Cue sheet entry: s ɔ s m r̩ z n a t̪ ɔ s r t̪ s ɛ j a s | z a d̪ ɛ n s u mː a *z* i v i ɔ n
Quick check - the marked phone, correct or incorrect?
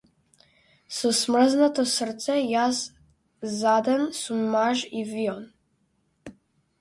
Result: incorrect